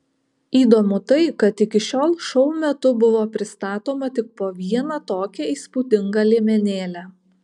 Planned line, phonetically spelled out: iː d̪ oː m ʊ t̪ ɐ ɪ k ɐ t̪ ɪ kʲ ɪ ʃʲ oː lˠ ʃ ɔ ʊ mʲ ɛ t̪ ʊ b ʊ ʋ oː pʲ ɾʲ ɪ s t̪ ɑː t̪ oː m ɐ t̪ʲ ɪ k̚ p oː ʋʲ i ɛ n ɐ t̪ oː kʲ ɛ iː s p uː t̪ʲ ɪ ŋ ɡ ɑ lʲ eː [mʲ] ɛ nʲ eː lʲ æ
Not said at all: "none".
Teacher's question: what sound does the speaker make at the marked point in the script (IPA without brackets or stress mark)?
mʲ